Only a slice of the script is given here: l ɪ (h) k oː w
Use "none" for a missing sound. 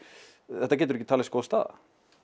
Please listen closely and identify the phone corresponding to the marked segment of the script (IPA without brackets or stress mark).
s